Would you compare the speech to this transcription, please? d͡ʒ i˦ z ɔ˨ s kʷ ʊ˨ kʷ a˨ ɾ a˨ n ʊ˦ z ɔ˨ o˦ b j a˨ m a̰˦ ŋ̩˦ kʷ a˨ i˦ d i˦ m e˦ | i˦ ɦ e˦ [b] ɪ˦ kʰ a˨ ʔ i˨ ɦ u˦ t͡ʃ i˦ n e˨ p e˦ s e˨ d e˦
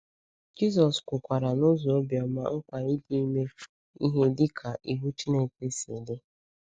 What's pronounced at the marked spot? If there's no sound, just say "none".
d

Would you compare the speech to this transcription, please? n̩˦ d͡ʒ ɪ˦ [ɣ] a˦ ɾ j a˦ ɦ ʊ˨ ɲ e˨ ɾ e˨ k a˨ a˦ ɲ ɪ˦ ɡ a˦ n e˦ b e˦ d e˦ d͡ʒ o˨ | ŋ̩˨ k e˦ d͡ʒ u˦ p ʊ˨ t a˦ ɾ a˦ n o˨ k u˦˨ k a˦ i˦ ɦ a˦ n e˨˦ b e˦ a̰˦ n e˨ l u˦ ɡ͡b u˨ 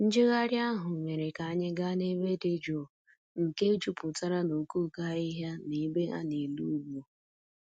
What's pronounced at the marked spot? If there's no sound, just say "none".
ɣ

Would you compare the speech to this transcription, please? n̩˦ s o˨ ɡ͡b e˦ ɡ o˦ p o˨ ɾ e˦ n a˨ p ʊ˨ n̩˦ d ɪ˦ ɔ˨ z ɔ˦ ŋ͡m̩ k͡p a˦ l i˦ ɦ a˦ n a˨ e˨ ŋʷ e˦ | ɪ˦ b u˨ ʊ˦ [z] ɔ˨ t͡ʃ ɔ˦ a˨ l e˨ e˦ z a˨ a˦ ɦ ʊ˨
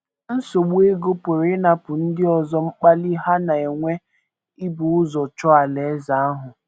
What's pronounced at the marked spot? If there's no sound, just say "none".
z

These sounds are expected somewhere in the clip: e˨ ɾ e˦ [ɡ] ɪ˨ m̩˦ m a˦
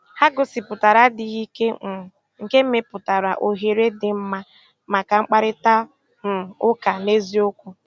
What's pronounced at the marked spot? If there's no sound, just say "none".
d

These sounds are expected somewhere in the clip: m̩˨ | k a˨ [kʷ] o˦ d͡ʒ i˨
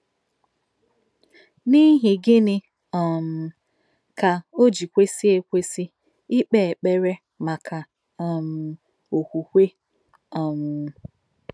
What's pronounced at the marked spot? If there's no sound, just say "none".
none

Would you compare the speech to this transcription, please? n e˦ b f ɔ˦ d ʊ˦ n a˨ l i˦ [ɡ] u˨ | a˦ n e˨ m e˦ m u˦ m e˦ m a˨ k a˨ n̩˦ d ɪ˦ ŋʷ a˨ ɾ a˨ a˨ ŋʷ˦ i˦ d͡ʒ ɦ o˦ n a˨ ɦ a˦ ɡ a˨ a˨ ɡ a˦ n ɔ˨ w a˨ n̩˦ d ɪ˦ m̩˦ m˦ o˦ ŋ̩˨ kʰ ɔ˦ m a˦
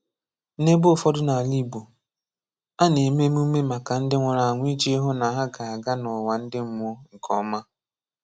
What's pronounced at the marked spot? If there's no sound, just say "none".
b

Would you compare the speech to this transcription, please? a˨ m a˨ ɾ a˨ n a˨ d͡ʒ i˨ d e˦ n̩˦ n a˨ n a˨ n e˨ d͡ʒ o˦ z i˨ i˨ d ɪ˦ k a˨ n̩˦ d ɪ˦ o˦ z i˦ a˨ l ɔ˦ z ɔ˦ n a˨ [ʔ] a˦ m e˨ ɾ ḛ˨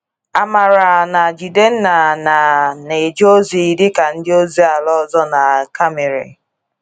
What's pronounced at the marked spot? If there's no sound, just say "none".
k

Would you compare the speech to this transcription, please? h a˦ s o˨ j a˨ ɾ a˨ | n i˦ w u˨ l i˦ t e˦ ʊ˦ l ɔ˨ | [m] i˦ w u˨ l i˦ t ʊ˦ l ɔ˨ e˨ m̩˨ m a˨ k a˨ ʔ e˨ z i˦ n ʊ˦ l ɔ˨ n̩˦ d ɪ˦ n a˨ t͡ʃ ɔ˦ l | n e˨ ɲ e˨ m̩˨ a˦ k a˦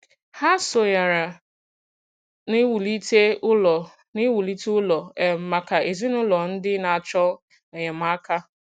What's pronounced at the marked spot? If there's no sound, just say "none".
n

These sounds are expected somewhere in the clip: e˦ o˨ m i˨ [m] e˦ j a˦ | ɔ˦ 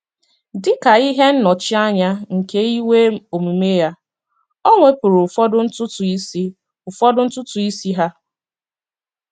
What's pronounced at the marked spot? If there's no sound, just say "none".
m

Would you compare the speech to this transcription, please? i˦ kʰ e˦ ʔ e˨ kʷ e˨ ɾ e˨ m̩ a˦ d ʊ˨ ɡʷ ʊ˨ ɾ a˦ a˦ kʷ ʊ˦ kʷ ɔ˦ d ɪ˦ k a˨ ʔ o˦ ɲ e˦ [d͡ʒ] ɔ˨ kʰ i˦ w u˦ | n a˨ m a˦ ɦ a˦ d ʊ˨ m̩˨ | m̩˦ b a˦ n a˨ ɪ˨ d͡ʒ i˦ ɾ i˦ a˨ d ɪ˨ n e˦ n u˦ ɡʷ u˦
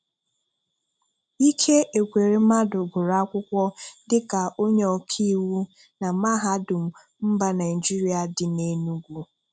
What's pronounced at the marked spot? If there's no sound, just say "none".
none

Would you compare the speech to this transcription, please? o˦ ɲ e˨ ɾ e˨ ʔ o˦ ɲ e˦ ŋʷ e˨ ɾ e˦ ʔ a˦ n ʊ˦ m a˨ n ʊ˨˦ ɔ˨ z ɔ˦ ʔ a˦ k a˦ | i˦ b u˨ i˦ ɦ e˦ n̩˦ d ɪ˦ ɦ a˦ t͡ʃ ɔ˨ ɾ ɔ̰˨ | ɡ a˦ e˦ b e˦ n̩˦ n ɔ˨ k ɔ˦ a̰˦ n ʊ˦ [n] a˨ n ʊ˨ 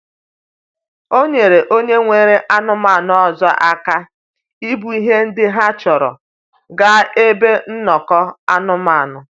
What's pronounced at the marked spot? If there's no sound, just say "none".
m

